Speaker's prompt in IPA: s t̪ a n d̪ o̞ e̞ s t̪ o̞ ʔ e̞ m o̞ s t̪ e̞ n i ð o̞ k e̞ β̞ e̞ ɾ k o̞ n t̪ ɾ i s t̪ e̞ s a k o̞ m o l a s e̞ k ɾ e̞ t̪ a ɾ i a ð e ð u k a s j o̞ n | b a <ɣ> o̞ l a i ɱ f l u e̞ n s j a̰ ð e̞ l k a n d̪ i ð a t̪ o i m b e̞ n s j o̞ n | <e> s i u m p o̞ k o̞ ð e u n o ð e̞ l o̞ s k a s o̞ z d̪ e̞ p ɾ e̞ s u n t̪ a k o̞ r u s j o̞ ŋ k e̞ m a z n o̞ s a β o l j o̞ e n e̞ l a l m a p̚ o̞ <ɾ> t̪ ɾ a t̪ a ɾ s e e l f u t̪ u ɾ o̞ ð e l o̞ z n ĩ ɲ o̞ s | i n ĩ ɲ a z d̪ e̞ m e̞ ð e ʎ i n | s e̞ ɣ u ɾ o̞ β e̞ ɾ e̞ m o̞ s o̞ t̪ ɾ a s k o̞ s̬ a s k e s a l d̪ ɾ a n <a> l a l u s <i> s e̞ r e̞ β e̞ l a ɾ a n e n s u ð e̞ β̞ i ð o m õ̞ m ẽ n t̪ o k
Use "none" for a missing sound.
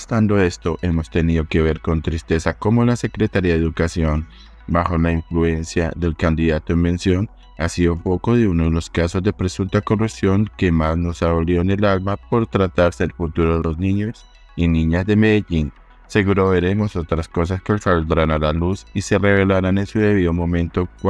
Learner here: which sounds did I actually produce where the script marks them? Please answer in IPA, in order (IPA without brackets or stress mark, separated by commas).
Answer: x, a, ɾ, a, i